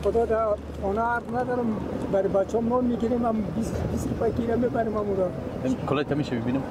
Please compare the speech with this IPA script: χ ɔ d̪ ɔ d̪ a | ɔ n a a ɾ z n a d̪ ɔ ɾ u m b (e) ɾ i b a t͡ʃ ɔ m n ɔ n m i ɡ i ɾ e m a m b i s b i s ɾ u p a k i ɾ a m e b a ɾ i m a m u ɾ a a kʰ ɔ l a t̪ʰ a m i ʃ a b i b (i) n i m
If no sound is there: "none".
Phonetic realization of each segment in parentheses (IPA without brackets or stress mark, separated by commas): a, i